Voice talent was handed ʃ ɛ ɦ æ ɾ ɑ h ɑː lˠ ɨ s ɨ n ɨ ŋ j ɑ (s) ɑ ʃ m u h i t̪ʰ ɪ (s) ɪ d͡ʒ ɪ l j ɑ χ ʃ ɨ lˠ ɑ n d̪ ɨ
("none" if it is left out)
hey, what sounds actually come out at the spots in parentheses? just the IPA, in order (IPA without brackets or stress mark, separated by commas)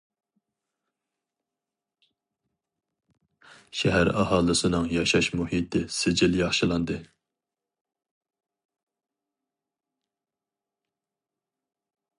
ʃ, s